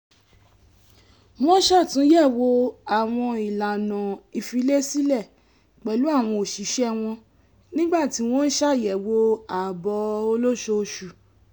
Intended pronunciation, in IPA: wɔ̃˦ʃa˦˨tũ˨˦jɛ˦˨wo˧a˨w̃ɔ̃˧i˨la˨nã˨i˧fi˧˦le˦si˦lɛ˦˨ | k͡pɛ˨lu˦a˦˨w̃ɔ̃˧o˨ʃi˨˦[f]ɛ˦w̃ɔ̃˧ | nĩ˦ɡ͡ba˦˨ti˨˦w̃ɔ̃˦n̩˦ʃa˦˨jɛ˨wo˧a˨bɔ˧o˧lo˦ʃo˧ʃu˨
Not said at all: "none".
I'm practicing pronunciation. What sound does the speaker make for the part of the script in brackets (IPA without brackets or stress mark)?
ʃ